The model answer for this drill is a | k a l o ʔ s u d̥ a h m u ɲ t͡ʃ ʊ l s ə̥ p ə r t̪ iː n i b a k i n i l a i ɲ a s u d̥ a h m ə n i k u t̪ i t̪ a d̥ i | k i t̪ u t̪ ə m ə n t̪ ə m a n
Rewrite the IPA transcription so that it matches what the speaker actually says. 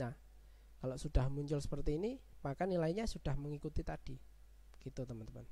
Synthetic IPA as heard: a | k a l o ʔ s u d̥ a h m u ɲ t͡ʃ ʊ l s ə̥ p ə r t̪ iː n i m a k a n i l a i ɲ a s u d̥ a h m ə ŋ i k u t̪ i t̪ a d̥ i | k i t̪ u t̪ ə m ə n t̪ ə m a n